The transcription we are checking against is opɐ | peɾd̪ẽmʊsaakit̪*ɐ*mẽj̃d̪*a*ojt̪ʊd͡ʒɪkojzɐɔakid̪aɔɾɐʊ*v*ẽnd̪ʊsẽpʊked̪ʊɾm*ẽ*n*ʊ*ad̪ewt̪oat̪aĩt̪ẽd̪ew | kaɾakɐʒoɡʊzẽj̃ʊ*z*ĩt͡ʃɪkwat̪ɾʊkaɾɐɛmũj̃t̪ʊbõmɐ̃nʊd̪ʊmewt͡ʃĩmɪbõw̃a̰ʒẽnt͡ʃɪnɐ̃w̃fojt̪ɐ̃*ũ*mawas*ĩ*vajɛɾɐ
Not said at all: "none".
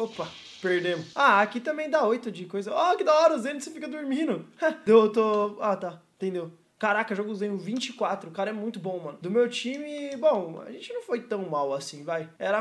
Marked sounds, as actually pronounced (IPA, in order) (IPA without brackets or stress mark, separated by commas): ɐ̃, a, z, ĩ, ʊ, v, w̃, ĩ